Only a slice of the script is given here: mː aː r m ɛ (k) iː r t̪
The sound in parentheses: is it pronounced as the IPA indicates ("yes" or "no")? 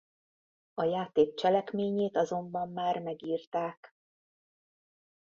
no